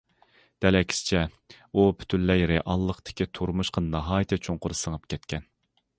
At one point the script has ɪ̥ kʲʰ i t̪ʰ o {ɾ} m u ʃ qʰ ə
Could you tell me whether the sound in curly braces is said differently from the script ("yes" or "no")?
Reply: no